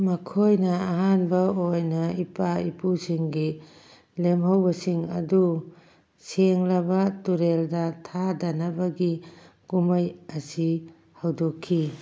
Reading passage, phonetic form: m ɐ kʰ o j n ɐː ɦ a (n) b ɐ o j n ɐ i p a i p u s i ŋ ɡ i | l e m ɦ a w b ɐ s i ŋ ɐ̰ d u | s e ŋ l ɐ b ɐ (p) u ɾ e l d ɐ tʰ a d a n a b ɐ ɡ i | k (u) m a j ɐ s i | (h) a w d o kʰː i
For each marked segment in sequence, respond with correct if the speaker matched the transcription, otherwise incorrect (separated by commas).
correct, incorrect, correct, correct